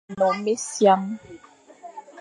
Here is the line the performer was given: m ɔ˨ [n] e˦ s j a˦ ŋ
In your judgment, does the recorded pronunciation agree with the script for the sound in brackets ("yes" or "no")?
no